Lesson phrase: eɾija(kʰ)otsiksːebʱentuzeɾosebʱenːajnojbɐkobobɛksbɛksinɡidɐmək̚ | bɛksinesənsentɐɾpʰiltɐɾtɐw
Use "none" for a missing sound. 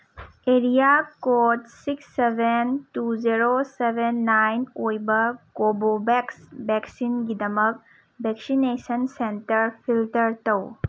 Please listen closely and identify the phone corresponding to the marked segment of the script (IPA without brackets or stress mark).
k